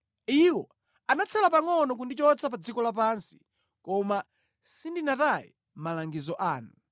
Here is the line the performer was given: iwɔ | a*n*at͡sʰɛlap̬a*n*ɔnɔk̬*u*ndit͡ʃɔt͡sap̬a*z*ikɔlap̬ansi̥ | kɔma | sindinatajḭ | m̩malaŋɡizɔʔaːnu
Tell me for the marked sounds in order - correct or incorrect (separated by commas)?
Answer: correct, incorrect, correct, incorrect